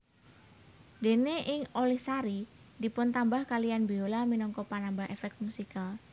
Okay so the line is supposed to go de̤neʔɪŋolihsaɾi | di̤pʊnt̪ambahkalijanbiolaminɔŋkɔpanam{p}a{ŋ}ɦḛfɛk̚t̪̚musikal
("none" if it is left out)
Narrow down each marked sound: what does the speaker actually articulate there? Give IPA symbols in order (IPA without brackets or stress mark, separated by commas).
b, none